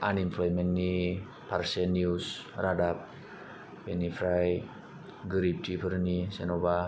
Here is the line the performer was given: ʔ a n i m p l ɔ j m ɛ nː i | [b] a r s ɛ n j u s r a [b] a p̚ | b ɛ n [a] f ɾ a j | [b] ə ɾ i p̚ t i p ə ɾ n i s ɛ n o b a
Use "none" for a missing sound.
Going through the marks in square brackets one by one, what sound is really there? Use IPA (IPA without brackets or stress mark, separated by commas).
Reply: p, d, i, ɡ